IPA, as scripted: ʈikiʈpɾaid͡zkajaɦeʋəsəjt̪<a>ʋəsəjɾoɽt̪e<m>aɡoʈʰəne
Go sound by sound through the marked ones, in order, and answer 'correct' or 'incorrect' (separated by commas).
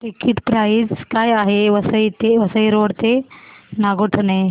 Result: incorrect, incorrect